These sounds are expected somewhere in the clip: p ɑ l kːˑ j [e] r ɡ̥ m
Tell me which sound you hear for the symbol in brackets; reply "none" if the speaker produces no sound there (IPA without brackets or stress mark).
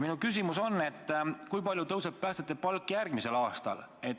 æ